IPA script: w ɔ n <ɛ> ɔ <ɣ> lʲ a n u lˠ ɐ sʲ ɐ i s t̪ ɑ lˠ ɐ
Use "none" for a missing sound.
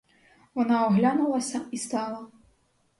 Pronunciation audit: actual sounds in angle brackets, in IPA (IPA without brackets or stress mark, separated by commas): a, ɣ